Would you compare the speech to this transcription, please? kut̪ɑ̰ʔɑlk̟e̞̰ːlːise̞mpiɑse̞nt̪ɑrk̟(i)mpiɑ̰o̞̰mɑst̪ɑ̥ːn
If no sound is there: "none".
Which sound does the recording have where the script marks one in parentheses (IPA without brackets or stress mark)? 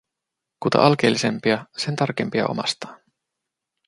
e